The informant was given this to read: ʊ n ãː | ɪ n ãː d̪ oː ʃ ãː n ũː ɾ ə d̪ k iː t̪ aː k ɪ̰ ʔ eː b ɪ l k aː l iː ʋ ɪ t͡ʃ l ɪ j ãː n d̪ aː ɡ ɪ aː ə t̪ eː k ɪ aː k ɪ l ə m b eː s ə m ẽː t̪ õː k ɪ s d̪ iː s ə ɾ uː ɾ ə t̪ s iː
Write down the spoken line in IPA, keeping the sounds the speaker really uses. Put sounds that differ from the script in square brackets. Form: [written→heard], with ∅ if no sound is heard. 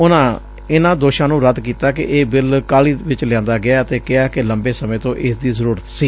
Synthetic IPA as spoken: ʊ n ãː | ɪ n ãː d̪ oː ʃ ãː n ũː ɾ ə d̪ k iː t̪ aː k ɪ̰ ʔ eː b ɪ l k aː l iː ʋ ɪ t͡ʃ l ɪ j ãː n d̪ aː ɡ ɪ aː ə t̪ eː k ɪ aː k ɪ l ə m b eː s ə m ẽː t̪ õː [k→ʔ] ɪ s d̪ iː [s→z] ə ɾ uː ɾ ə t̪ s iː